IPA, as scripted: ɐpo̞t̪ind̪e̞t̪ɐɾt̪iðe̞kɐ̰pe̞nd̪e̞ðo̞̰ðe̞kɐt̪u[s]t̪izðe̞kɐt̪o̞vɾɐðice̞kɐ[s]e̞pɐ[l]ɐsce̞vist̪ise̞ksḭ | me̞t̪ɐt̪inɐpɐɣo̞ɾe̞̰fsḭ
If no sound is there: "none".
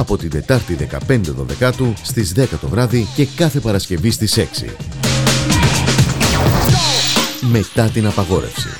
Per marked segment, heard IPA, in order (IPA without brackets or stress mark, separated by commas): s, θ, ɾ